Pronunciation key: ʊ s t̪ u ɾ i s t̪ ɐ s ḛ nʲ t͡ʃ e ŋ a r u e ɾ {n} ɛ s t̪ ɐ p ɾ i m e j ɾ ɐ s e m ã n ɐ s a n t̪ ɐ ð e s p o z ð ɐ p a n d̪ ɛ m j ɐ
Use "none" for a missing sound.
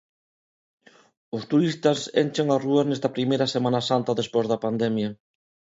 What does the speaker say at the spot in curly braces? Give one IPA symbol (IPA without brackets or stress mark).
n